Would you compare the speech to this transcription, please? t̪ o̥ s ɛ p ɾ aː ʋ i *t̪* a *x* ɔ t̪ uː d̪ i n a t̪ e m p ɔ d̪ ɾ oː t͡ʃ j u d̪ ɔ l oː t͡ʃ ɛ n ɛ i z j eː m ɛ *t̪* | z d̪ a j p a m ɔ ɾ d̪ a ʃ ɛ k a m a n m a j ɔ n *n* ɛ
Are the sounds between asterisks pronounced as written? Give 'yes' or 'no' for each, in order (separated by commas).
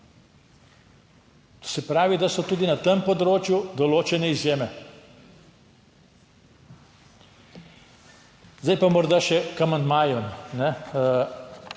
no, no, no, yes